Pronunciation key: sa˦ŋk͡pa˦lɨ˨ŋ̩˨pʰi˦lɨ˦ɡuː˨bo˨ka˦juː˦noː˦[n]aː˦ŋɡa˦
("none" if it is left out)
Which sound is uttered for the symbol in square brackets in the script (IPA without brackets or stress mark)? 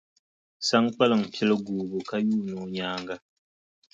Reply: ɲ